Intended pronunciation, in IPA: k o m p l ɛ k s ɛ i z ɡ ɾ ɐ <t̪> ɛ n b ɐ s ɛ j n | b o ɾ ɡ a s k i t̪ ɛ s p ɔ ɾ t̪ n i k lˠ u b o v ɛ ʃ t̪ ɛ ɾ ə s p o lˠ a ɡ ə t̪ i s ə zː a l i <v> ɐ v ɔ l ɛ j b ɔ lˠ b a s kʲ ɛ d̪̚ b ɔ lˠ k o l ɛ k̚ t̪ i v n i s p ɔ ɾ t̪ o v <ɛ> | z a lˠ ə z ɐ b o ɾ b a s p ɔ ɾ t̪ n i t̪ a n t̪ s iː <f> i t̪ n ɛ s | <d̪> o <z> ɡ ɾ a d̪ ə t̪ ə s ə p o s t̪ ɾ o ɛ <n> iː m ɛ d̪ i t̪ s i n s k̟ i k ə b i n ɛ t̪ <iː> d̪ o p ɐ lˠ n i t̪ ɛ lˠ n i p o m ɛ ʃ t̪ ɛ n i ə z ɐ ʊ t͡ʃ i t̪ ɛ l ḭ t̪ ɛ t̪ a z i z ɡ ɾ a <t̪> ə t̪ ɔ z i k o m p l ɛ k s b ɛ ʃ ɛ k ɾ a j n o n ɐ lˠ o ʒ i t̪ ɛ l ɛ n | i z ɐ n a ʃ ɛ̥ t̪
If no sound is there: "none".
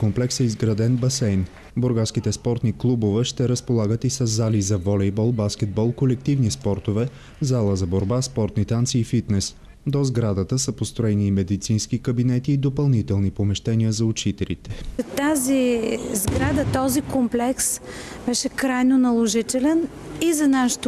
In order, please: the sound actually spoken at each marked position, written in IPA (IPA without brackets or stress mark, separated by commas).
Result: d̪, z, ɛ, f, d̪, z, n, iː, d̪